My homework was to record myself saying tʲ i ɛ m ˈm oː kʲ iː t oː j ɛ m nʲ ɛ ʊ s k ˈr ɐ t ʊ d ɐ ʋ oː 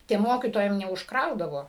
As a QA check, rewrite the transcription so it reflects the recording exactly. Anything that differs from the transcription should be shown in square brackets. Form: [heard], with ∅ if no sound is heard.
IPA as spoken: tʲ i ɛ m ˈm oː kʲ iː t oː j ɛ m nʲ ɛ ʊ [ʃ] k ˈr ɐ [∅] ʊ d ɐ ʋ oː